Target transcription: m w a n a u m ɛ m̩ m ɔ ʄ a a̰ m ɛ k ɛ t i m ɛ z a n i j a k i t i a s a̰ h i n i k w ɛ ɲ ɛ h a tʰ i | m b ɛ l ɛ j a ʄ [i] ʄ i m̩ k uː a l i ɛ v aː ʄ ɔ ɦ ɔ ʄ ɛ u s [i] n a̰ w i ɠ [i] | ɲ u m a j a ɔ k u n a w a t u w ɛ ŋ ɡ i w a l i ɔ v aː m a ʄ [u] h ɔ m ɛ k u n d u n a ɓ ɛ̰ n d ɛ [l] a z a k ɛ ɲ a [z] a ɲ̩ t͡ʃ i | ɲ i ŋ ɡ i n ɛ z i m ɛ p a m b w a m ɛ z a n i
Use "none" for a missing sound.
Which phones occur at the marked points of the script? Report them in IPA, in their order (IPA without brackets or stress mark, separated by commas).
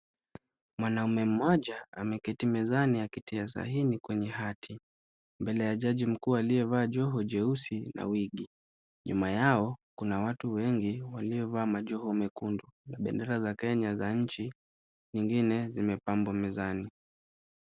a, i, i, ɔ, ɾ, z